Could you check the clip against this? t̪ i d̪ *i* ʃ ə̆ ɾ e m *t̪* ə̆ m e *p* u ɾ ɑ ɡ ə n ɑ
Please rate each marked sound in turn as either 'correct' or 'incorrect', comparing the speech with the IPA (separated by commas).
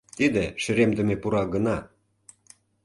incorrect, incorrect, correct